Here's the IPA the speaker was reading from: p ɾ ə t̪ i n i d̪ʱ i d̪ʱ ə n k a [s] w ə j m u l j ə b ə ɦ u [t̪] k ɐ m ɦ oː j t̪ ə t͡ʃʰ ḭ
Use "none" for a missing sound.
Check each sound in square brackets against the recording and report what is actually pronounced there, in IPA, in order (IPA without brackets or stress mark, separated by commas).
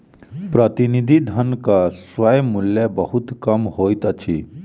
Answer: s, t̪